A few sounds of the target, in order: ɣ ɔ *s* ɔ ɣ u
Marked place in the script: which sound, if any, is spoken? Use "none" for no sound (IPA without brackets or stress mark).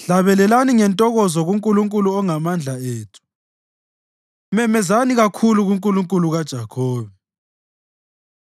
z